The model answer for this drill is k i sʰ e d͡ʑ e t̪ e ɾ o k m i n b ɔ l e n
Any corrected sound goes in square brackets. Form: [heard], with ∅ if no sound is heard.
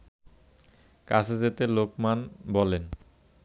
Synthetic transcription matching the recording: k [a] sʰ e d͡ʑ e t̪ e [l] o k m [a] n b ɔ l e n